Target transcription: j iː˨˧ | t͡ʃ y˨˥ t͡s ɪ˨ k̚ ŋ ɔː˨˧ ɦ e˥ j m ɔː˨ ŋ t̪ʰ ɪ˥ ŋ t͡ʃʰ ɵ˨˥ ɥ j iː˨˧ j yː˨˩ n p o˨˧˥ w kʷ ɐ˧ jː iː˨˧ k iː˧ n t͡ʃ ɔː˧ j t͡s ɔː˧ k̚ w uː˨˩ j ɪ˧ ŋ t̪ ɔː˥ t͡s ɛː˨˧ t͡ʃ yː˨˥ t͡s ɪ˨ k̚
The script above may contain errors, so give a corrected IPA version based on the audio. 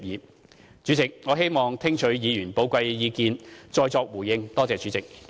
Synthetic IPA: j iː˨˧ | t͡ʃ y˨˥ t͡s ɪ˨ k̚ ŋ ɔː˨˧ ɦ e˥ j m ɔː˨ ŋ t̪ʰ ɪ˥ ŋ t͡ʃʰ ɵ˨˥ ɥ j iː˨˧ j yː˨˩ n p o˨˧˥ w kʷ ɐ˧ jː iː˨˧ k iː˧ n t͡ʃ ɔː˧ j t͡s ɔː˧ k̚ w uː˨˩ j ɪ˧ ŋ t̪ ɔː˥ t͡s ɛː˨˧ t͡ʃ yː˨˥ t͡s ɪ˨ k̚